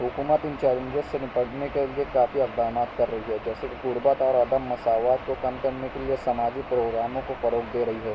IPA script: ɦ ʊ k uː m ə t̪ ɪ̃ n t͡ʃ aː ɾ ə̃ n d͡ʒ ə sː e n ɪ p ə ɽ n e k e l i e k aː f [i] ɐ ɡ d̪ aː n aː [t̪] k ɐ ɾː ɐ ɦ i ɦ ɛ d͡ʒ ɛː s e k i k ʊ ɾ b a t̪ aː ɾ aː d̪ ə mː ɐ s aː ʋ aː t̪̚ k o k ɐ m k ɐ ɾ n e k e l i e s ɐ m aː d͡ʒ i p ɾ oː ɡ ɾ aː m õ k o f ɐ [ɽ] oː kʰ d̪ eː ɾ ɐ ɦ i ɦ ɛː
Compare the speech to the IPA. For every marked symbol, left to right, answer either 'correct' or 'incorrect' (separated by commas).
correct, correct, incorrect